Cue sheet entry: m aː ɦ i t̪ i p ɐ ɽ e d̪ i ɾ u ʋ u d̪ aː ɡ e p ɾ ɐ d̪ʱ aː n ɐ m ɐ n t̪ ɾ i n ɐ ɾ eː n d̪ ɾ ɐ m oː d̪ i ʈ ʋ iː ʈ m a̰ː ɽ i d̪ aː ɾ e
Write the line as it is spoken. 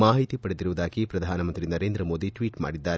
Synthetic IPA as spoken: m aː ɦ i t̪ i p ɐ ɽ e d̪ i ɾ u ʋ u d̪ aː ɡ i p ɾ ɐ d̪ʱ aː n ɐ m ɐ n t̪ ɾ i n ɐ ɾ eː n d̪ ɾ ɐ m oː d̪ i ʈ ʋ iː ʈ m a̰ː ɽ i d̪ː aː ɾ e